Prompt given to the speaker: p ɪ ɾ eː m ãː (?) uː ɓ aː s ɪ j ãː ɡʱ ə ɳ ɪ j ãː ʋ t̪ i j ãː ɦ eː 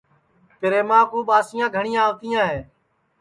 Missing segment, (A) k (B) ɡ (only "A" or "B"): A